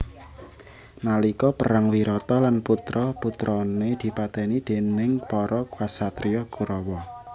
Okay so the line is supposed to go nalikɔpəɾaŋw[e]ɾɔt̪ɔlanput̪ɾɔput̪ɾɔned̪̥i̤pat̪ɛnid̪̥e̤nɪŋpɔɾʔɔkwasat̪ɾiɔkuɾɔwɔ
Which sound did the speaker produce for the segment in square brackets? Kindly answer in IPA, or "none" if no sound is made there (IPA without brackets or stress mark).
i